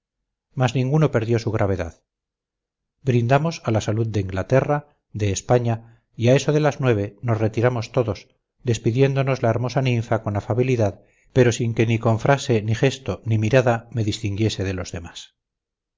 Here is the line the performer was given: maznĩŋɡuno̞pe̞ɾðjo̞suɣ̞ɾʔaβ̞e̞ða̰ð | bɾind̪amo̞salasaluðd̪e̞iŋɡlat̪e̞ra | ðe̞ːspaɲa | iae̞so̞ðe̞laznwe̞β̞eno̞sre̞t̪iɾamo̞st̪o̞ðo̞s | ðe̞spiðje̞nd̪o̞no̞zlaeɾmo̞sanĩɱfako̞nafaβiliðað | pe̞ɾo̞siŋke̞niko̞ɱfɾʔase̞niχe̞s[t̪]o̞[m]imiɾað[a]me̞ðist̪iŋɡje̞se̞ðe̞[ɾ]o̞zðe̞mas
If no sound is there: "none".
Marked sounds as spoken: t̪, n, a, l

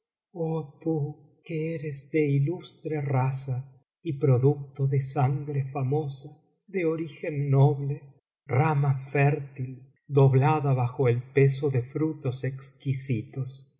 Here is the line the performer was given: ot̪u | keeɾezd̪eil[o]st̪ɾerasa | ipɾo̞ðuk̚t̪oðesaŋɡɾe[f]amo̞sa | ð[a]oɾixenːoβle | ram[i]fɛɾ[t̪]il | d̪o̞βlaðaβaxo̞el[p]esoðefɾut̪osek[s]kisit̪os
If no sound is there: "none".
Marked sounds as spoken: u, f, e, a, t̪, p, s

